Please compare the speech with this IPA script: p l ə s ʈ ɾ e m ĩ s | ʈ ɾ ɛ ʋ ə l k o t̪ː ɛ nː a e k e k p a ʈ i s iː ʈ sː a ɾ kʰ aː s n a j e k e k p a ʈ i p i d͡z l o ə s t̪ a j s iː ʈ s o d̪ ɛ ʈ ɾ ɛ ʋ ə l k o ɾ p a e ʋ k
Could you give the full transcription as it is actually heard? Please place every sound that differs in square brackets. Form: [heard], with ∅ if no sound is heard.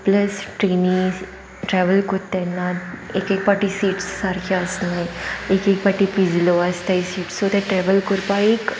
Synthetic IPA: p l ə s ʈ ɾ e [n] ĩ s | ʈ ɾ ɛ ʋ ə l k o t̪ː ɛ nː a e k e k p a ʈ i s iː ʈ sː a ɾ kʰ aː s n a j e k e k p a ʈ i p i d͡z l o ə s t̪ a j s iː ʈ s o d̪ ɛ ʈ ɾ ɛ ʋ ə l k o ɾ p a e [∅] k